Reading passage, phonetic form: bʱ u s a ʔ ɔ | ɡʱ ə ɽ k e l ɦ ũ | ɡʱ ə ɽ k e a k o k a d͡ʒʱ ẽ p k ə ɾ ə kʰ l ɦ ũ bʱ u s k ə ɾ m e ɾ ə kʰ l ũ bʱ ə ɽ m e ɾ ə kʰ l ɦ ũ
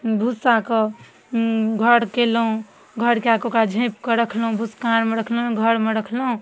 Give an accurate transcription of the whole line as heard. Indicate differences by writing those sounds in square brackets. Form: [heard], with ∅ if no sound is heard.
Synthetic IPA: bʱ u s a [k] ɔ | ɡʱ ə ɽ k e l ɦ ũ | ɡʱ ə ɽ k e a k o k a d͡ʒʱ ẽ p k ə ɾ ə kʰ l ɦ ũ bʱ u s k [a] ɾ m e ɾ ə kʰ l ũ [ɡʱ] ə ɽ m e ɾ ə kʰ l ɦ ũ